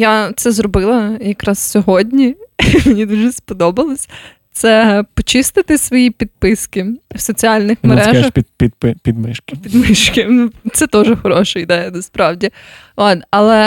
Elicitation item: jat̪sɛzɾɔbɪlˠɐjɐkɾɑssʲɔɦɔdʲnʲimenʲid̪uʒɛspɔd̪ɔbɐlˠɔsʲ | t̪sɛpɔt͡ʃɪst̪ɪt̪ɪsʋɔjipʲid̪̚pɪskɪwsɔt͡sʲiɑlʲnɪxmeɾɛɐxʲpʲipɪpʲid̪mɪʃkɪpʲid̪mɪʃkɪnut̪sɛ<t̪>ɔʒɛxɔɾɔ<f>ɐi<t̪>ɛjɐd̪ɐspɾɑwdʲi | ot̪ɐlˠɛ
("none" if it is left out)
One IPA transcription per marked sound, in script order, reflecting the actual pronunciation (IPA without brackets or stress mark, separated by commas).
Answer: t̪, ʃ, d̪